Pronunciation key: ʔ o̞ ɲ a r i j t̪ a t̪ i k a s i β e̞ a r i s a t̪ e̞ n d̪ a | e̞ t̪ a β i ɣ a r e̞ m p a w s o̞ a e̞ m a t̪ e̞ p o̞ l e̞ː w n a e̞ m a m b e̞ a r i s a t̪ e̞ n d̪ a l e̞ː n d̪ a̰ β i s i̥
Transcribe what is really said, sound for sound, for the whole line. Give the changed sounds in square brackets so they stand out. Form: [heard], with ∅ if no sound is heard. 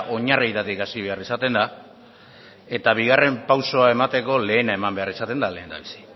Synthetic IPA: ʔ o̞ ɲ a r i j t̪ a t̪ i k a s i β e̞ a r i s a t̪ e̞ n d̪ a | e̞ t̪ a β i ɣ a r e̞ m p a w s o̞ a e̞ m a t̪ e̞ [k] o̞ l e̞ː [∅] n a e̞ m a m b e̞ a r i s a t̪ e̞ n d̪ a l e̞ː n d̪ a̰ β i s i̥